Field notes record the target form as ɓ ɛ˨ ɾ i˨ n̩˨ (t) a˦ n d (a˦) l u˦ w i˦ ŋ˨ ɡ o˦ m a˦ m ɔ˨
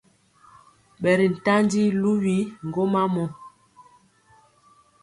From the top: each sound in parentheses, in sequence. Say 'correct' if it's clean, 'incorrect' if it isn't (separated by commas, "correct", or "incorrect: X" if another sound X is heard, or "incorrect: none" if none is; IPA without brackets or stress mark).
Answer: correct, incorrect: i˦